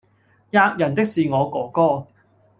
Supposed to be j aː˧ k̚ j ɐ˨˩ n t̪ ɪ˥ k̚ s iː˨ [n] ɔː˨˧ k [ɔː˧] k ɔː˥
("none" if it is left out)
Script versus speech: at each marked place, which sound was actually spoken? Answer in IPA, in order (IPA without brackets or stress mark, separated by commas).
ŋ, ɔː˨˥